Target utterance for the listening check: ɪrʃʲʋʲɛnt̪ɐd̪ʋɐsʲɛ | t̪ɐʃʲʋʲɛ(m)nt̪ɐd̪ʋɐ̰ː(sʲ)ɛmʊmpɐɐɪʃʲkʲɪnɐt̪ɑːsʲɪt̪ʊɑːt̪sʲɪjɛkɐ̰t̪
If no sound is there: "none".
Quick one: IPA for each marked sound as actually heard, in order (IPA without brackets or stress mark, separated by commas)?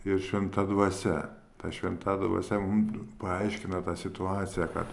none, sʲ